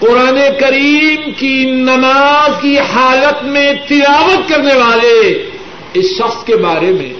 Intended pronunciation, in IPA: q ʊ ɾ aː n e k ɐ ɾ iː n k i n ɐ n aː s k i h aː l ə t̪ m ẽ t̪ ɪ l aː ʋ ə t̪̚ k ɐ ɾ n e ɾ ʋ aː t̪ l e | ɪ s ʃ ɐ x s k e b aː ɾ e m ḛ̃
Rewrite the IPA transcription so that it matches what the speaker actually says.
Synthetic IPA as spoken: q ʊ ɾ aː n e k ɐ ɾ iː m k i n ɐ n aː z k i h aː l ə t̪ m ẽ t̪ ɪ l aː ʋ ə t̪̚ k ɐ ɾ n e ʋ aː l e | ɪ s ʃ ɐ x s k e b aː ɾ e m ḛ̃